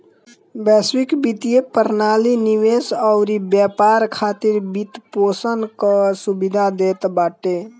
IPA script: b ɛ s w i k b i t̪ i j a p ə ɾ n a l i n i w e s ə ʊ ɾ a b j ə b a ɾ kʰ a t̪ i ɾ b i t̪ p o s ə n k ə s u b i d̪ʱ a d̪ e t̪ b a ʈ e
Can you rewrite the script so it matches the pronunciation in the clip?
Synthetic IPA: b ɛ s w i k b i t̪ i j e p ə ɾ n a l i n i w e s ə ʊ ɾ i b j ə p a ɾ kʰ a t̪ i ɾ b i t̪ p o s ə n k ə s u b i d̪ʱ a d̪ e t̪ b a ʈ e

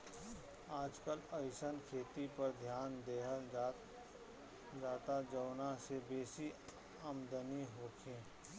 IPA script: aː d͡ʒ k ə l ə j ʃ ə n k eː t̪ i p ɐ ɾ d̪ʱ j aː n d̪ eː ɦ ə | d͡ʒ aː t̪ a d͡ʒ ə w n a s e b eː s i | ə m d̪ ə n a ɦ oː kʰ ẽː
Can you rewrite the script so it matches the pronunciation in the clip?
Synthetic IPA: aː d͡ʒ k ə l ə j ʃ ə n kʰ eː t̪ i p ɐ ɾ d̪ʱ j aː n d̪ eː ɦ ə | d͡ʒ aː t̪ a d͡ʒ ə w n a s e b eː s i | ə m d̪ ə n i ɦ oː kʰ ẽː

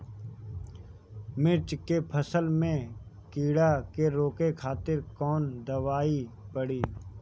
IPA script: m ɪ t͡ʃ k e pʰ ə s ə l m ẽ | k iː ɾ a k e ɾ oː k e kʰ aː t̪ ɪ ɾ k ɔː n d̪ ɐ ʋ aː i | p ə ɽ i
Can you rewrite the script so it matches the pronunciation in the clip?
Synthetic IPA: m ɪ t͡ʃ k e pʰ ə s ə l m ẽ | k iː ɽ a k e ɾ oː k e kʰ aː t̪ ɪ ɾ k ɔː n d̪ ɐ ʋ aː i | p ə ɽ iː

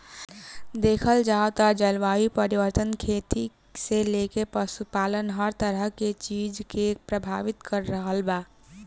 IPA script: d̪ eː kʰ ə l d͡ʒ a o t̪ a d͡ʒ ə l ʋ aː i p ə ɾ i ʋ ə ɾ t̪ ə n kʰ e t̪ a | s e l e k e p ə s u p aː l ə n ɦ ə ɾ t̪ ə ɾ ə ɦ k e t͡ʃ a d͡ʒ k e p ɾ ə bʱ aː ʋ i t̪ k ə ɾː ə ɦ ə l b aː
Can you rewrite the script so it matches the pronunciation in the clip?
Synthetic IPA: d̪ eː kʰ ə l d͡ʒ a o t̪ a d͡ʒ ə l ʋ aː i p ə ɾ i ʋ ə ɾ t̪ ə n kʰ e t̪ i | s e l e k e p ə s u p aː l ə n ɦ ə ɾ t̪ ə ɾ ə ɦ k e t͡ʃ i d͡ʒ k e p ɾ ə bʱ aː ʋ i t̪ k ə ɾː ə ɦ ə l b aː

